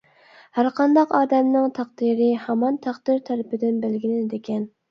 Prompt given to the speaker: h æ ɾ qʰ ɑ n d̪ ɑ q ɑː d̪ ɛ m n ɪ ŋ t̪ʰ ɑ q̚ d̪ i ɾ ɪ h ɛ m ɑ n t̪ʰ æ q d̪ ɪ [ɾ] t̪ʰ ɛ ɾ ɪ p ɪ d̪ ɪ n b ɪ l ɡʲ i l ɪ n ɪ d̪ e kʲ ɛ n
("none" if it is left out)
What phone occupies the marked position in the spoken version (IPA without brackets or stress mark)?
ɾ